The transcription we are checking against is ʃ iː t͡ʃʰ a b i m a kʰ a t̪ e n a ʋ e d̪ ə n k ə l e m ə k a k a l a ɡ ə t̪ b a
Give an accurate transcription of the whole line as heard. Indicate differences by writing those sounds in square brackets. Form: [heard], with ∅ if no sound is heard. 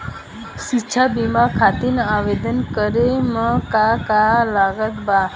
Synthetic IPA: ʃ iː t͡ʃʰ a b i m a kʰ a t̪ [i] n a ʋ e d̪ ə n k ə [ɾ] e m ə k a k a l a ɡ ə t̪ b a